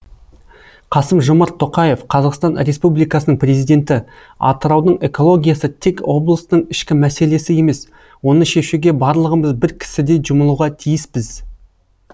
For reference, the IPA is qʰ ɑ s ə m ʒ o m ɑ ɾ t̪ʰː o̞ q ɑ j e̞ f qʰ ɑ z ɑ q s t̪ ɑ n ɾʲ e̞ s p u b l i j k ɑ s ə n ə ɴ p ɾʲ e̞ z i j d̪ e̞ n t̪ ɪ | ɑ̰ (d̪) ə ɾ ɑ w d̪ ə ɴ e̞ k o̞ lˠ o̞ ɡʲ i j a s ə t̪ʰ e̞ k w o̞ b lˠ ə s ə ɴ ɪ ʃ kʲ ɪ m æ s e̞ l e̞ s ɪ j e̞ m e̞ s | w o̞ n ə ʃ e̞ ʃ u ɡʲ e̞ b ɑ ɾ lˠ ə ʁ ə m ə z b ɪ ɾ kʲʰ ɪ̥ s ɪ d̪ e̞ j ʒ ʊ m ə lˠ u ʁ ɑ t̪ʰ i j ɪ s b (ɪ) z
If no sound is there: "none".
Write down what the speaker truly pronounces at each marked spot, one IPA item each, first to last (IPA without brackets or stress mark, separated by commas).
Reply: t̪, ɪ